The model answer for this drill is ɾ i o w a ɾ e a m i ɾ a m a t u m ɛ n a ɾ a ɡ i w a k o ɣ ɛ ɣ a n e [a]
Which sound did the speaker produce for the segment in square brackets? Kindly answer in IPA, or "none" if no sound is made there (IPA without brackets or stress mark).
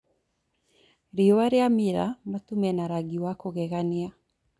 a